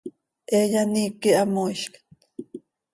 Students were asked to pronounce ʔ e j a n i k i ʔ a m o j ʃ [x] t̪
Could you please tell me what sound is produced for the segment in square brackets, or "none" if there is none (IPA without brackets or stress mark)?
k